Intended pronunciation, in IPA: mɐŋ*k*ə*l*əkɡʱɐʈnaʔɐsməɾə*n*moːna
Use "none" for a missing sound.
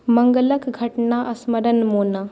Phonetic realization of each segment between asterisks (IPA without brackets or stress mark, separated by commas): ɡ, l, n